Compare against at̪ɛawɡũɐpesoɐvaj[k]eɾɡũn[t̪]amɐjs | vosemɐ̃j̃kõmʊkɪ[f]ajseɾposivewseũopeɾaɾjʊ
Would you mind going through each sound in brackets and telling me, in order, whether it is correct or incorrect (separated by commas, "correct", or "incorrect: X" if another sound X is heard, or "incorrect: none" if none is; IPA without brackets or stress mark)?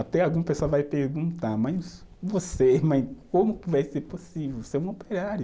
incorrect: p, correct, incorrect: v